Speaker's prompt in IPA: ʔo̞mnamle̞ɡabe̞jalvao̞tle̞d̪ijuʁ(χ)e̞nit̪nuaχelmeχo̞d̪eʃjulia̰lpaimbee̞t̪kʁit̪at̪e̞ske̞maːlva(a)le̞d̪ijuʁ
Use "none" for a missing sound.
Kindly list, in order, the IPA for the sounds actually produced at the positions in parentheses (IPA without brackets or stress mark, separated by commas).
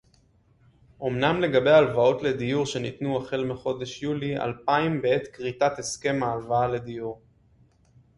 ʃ, a